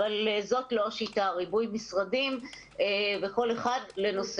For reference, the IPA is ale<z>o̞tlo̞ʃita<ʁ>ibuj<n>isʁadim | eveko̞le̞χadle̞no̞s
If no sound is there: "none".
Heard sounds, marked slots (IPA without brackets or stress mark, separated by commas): z, ʁ, m